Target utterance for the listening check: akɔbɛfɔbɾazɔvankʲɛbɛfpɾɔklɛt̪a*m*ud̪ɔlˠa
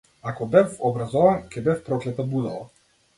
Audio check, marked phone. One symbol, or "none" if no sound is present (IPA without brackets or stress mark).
b